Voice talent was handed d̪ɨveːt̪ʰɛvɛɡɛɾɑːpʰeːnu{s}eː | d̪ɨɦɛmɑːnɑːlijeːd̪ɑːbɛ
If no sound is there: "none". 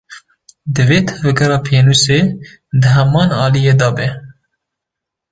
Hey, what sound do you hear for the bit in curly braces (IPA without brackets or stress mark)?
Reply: s